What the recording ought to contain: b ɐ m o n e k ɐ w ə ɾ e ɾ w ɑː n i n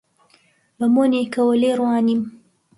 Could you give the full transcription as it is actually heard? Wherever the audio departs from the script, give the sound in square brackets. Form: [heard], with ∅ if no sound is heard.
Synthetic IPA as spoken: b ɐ m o n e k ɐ w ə [l] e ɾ w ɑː n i [m]